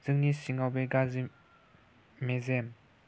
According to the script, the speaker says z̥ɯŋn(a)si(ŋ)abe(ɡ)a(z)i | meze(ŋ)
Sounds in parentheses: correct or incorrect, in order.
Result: incorrect: i, correct, correct, correct, incorrect: m

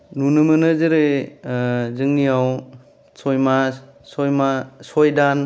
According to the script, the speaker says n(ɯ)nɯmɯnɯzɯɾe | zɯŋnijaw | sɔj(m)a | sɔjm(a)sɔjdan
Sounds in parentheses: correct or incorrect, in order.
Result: incorrect: u, correct, correct

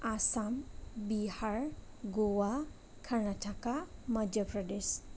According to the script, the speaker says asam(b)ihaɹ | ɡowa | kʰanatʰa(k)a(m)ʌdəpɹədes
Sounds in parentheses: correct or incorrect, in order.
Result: correct, correct, correct

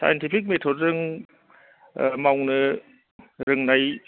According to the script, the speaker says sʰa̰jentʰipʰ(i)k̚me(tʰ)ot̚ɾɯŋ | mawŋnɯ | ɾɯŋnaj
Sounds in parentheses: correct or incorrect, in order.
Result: correct, correct

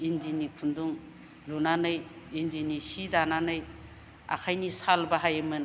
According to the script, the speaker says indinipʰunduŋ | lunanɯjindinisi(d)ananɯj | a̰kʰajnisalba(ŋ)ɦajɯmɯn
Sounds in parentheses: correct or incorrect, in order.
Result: correct, incorrect: none

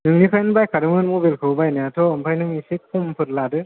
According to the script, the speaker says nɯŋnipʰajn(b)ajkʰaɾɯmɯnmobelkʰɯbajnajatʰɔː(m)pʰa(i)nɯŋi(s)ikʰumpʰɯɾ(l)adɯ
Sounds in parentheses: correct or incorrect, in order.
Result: correct, correct, incorrect: j, correct, correct

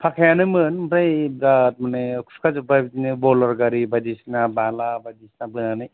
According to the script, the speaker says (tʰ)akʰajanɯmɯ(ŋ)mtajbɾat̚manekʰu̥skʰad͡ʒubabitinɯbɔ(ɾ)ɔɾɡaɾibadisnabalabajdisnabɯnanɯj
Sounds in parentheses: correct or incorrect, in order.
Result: incorrect: pʰ, incorrect: n, incorrect: l

